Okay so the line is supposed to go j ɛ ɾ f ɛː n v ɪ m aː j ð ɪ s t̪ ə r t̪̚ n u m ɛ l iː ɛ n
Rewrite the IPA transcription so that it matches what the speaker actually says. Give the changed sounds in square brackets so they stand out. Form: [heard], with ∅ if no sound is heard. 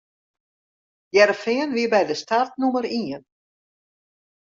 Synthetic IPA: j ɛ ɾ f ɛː n v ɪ [b] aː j ð ɪ s t̪ [a] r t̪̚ n u m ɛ [ɾ] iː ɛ n